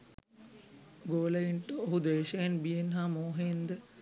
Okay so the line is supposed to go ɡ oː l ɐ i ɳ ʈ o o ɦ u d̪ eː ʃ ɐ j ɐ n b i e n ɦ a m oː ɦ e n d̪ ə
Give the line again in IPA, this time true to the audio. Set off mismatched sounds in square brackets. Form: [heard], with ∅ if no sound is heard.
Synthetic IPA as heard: ɡ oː l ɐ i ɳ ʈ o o ɦ u d̪ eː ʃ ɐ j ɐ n b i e n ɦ a m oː ɦ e n d̪ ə